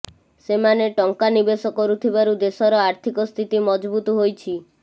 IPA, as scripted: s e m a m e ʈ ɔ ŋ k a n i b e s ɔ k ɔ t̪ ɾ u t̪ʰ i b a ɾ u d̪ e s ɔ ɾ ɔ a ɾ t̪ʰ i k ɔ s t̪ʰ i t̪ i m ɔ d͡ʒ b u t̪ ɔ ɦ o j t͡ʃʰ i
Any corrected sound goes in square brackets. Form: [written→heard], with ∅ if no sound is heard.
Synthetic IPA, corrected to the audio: s e m a [m→n] e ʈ ɔ ŋ k a n i b e s ɔ k ɔ [t̪→∅] ɾ u t̪ʰ i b a ɾ u d̪ e s ɔ ɾ ɔ a ɾ t̪ʰ i k ɔ s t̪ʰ i t̪ i m ɔ d͡ʒ b u t̪ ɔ ɦ o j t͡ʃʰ i